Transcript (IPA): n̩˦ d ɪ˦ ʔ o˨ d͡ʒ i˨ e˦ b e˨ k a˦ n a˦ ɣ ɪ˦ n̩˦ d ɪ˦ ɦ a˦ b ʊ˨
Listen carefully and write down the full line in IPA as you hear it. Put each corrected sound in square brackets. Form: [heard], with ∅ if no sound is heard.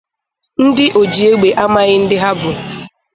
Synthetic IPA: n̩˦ d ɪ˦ ʔ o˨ d͡ʒ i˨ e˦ [ɡ͡b] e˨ [ʔ] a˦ [m] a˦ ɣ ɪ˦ n̩˦ d ɪ˦ ɦ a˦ b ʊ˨